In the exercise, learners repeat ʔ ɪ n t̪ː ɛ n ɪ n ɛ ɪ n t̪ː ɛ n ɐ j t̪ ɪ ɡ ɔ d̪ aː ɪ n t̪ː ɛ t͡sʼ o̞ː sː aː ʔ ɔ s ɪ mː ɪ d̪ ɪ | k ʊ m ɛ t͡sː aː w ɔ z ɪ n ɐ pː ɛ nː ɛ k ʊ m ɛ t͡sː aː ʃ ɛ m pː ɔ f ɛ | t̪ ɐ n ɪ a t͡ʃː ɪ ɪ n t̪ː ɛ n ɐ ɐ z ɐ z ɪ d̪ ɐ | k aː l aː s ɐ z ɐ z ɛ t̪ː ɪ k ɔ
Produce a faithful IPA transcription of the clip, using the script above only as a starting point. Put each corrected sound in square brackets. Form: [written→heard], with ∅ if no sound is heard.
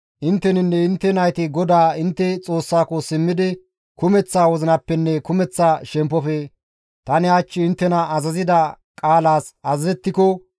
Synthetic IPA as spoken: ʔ ɪ n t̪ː ɛ n ɪ [n→nː] ɛ ɪ n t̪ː ɛ n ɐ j t̪ ɪ ɡ ɔ d̪ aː ɪ n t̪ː ɛ t͡sʼ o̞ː sː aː [ʔ→k] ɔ s ɪ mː ɪ d̪ ɪ | k ʊ m ɛ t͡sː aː w ɔ z ɪ n ɐ pː ɛ nː ɛ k ʊ m ɛ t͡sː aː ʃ ɛ m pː ɔ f ɛ | t̪ ɐ n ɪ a t͡ʃː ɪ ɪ n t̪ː ɛ n ɐ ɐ z ɐ z ɪ d̪ ɐ | [k→kʼ] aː l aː s ɐ z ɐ z ɛ t̪ː ɪ k ɔ

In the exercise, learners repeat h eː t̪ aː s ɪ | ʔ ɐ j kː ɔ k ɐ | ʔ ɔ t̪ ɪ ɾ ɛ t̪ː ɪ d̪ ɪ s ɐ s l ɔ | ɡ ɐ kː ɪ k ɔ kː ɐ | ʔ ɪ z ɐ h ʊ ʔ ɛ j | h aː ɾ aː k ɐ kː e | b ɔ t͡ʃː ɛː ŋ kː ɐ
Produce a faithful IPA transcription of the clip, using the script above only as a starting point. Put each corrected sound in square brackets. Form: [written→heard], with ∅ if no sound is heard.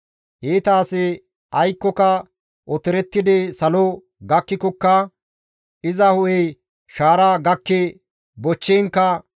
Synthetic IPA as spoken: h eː t̪ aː s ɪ | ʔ ɐ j kː ɔ k ɐ | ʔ ɔ t̪ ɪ ɾ ɛ t̪ː ɪ d̪ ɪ s ɐ [s→∅] l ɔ | ɡ ɐ kː ɪ k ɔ kː ɐ | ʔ ɪ z ɐ h ʊ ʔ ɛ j | [h→ʃ] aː ɾ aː [k→ɡ] ɐ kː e | b ɔ t͡ʃː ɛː ŋ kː ɐ

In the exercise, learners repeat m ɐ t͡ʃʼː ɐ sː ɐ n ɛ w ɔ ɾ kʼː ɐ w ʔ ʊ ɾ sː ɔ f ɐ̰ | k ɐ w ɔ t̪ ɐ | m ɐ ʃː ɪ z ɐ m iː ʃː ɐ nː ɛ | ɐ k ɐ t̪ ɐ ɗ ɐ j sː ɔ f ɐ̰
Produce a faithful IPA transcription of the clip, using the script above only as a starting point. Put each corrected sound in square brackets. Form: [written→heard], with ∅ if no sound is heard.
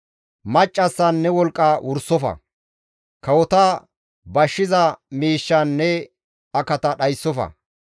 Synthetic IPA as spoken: m ɐ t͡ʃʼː ɐ sː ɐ [n→nː] ɛ w ɔ [ɾ→l] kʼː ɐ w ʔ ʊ ɾ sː ɔ f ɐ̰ | k ɐ w ɔ t̪ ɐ | [m→b] ɐ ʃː ɪ z ɐ m iː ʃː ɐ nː ɛ | ɐ k ɐ t̪ ɐ ɗ ɐ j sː ɔ f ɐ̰

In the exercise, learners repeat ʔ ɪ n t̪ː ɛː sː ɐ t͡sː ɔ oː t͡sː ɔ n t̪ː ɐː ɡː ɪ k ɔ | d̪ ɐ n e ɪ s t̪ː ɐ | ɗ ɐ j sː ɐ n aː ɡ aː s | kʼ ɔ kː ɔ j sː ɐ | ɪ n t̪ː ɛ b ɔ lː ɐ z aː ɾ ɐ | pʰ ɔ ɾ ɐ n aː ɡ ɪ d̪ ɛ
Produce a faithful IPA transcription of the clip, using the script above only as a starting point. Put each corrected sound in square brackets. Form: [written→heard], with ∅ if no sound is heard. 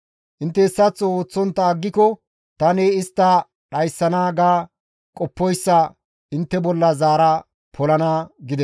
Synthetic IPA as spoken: ʔ ɪ n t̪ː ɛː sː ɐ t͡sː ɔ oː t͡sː ɔ n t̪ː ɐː ɡː ɪ k ɔ | [d̪→t̪] ɐ n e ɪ s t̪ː ɐ | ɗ ɐ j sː ɐ n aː ɡ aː [s→∅] | kʼ ɔ [kː→pː] ɔ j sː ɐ | ɪ n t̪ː ɛ b ɔ lː ɐ z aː ɾ ɐ | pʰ ɔ [ɾ→l] ɐ n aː ɡ ɪ d̪ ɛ

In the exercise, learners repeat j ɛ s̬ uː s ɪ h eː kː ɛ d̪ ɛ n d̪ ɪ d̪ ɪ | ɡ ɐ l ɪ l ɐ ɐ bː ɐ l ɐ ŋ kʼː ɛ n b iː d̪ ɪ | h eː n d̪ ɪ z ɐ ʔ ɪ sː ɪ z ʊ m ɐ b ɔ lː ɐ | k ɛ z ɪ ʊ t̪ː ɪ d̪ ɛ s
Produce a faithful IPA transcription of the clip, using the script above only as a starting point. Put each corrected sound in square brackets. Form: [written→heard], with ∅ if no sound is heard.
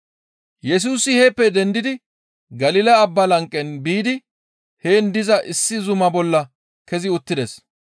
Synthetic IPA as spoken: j ɛ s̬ uː s ɪ h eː [kː→pː] ɛ d̪ ɛ n d̪ ɪ d̪ ɪ | ɡ ɐ l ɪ l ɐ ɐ bː ɐ l ɐ ŋ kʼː ɛ n b iː d̪ ɪ | h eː n d̪ ɪ z ɐ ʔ ɪ sː ɪ z ʊ m ɐ b ɔ lː ɐ | k ɛ z ɪ ʊ t̪ː ɪ d̪ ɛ s

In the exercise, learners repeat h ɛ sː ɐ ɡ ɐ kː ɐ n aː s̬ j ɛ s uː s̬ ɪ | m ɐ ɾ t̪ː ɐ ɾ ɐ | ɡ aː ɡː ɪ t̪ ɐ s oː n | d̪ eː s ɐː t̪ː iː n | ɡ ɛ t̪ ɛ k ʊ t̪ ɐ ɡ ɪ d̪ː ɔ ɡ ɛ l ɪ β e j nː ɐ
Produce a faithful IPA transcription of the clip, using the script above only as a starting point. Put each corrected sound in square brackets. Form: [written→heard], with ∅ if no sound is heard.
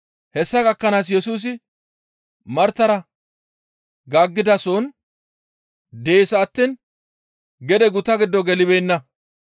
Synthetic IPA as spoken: h ɛ sː ɐ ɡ ɐ kː ɐ n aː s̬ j ɛ s uː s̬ ɪ | m ɐ ɾ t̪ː ɐ ɾ ɐ | ɡ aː ɡː ɪ [t̪→d̪] ɐ s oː n | d̪ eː s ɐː t̪ː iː n | ɡ ɛ [t̪→d̪] ɛ [k→ɡ] ʊ t̪ ɐ ɡ ɪ d̪ː ɔ ɡ ɛ l ɪ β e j nː ɐ

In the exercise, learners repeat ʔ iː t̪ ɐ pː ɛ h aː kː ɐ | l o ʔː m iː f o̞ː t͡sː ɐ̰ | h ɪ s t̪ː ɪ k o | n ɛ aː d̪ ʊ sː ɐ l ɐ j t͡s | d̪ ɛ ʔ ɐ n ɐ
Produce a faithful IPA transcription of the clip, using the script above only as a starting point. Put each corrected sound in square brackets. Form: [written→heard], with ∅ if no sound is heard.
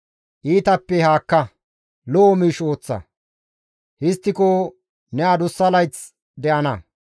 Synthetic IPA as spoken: ʔ iː t̪ ɐ pː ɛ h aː kː ɐ | l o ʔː m iː [f→ʃ] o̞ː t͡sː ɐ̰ | h ɪ s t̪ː ɪ k o | n ɛ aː d̪ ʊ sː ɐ l ɐ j t͡s | d̪ ɛ ʔ ɐ n ɐ

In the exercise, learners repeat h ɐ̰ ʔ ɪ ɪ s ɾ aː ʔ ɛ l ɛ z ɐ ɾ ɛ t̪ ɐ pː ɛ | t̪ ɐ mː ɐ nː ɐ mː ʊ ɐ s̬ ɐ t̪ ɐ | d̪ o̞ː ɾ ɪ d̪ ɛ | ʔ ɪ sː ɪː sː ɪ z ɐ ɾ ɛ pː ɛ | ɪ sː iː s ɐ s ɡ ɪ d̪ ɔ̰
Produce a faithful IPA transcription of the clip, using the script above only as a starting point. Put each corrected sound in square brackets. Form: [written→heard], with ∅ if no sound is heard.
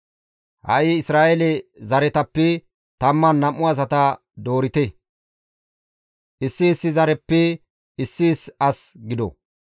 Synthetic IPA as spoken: h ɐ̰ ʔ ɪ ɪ s ɾ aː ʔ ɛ l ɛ z ɐ ɾ ɛ t̪ ɐ pː ɛ | t̪ ɐ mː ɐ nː ɐ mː ʊ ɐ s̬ ɐ t̪ ɐ | d̪ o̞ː ɾ ɪ [d̪→t̪] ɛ | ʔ ɪ sː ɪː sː ɪ z ɐ ɾ ɛ pː ɛ | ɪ sː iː s ɐ s ɡ ɪ d̪ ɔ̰

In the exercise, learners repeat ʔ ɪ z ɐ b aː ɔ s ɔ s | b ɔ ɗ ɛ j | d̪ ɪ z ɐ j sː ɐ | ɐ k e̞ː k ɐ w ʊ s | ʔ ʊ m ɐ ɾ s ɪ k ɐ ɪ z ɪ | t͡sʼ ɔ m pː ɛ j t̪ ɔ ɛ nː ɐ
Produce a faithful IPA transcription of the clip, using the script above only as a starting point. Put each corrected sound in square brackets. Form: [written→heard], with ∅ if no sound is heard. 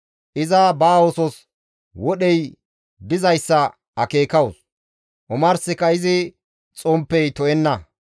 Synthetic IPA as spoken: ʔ ɪ z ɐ b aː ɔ s ɔ s | [b→w] ɔ ɗ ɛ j | d̪ ɪ z ɐ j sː ɐ | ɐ k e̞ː k ɐ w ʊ s | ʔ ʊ m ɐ ɾ s ɪ k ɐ ɪ z ɪ | t͡sʼ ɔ m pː ɛ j t̪ ɔ ɛ nː ɐ

